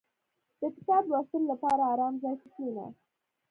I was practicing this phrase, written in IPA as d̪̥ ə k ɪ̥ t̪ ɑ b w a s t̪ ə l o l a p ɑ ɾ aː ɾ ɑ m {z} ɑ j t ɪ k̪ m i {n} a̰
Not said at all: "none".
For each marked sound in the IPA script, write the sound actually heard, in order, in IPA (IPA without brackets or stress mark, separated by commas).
z, n